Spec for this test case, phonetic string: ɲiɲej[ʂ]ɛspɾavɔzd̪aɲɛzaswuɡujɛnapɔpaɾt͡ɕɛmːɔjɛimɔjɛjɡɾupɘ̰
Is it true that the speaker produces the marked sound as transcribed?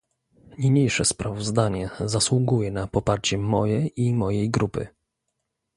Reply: yes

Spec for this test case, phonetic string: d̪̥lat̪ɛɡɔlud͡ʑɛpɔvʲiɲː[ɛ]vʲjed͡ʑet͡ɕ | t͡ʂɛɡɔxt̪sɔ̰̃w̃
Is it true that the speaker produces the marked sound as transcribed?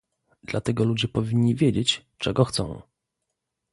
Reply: no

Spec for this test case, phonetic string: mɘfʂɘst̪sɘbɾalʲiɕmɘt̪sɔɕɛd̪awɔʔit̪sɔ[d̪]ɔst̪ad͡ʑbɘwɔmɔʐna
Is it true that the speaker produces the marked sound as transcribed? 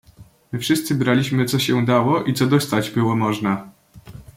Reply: yes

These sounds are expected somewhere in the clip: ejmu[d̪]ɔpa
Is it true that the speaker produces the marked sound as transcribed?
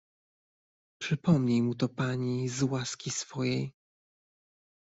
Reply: no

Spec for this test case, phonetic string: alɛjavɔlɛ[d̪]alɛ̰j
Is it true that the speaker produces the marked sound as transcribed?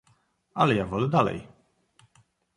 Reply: yes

